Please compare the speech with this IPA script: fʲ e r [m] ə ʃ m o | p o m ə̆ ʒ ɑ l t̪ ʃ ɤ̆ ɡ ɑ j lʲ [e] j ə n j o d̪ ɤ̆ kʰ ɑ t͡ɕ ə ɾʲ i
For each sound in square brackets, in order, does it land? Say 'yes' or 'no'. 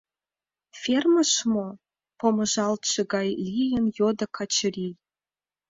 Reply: yes, no

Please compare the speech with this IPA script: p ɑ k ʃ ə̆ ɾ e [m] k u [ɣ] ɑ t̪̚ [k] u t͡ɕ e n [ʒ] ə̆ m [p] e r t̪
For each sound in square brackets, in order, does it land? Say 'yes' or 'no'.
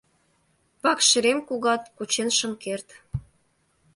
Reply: yes, yes, yes, no, no

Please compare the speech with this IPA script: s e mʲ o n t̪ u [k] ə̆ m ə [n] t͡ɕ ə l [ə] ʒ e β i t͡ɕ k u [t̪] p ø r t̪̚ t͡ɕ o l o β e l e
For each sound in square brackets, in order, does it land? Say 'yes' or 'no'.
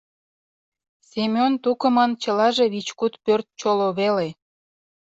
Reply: yes, yes, no, yes

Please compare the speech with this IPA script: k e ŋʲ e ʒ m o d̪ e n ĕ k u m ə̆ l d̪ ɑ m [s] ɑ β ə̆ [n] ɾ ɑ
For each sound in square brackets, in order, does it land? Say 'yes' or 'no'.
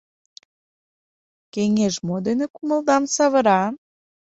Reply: yes, no

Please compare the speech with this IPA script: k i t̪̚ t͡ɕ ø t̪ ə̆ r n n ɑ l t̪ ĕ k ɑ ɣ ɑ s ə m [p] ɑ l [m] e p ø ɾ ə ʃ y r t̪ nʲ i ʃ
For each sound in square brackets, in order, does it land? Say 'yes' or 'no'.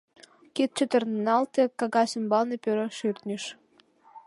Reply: no, no

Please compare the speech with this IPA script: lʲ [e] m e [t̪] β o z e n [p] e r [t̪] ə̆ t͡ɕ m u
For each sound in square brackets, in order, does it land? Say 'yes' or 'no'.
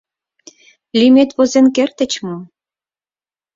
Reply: no, yes, no, yes

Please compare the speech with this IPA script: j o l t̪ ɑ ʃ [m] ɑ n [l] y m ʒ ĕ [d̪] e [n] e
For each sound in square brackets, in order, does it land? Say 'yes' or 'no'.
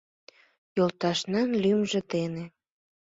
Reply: no, yes, no, yes

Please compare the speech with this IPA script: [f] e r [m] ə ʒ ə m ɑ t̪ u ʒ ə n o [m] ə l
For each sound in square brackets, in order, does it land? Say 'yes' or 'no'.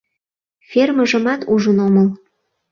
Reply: yes, yes, yes

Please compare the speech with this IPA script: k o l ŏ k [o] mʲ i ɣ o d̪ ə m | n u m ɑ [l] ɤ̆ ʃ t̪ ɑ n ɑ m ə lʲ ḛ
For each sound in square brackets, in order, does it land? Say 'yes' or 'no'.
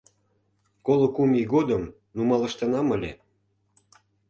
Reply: no, yes

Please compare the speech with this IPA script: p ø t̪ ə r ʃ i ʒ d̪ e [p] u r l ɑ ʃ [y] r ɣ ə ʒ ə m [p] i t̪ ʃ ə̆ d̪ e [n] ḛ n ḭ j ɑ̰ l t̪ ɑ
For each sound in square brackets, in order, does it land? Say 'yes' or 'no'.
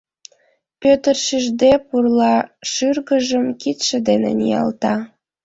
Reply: yes, yes, no, yes

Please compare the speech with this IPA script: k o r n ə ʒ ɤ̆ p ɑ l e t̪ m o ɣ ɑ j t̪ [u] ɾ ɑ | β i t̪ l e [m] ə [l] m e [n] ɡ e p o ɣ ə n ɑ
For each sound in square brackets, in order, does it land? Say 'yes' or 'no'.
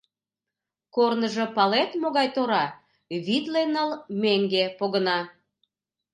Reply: no, no, yes, no

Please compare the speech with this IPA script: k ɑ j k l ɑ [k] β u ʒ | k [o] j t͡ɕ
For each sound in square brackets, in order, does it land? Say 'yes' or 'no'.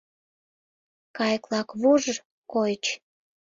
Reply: yes, yes

